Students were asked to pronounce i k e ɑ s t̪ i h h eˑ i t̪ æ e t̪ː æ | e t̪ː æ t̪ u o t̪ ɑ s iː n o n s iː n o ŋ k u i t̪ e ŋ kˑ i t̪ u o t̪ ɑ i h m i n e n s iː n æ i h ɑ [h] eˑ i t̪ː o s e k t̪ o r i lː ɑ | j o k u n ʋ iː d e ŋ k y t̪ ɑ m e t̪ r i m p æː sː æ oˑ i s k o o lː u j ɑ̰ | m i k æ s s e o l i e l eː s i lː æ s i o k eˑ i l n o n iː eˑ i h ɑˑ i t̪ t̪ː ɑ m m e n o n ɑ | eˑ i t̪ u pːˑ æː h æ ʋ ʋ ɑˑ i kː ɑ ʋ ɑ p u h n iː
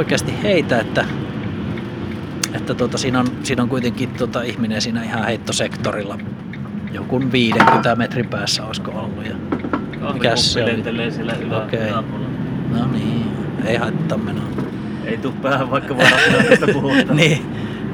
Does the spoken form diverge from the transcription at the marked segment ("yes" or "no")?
no